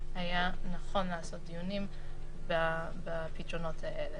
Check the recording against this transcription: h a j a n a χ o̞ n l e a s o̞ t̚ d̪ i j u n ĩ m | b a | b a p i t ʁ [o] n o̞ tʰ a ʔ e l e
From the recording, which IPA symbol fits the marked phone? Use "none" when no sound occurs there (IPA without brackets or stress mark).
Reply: o